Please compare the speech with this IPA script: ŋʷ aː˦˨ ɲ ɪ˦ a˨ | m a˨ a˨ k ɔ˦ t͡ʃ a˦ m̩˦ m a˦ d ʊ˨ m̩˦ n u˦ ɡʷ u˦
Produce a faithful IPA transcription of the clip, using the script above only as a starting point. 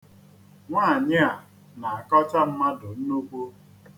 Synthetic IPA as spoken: ŋʷ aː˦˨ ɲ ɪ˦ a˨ | n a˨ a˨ k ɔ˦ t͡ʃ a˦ m̩˦ m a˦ d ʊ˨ n̩˦ n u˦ kʷ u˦